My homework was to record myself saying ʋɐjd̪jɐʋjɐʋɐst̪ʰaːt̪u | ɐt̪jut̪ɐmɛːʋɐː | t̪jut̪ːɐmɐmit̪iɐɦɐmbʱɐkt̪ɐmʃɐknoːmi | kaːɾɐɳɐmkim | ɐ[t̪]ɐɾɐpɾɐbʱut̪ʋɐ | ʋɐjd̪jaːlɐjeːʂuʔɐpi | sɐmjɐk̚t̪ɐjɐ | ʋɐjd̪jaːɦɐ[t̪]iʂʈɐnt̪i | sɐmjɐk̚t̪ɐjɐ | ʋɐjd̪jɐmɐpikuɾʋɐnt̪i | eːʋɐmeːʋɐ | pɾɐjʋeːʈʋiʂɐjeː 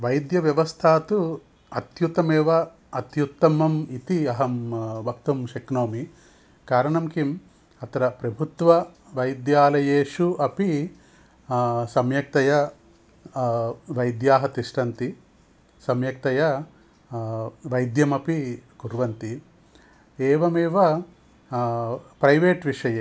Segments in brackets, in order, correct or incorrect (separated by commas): correct, correct